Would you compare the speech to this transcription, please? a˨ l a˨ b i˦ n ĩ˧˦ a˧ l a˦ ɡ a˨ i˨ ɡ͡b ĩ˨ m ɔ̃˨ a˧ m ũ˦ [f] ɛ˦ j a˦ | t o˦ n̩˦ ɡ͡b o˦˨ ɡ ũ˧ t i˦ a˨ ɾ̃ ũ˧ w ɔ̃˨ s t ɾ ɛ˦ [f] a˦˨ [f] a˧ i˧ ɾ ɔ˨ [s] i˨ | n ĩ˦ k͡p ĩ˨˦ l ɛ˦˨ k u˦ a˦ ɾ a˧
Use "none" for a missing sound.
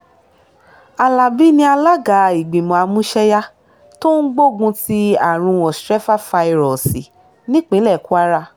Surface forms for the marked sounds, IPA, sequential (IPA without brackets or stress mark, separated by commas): ʃ, f, f, s